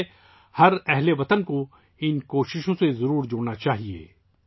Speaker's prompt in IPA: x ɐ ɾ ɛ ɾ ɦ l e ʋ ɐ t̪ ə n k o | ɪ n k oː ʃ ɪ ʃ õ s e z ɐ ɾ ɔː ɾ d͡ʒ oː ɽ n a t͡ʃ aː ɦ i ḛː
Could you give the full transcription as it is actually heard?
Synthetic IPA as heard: h ɐ ɾ ɛ ɦ l e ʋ ɐ t̪ ə n k o | ɪ n k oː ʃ ɪ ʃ õ s e z ɐ ɾ uː ɾ d͡ʒ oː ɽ n a t͡ʃ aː ɦ i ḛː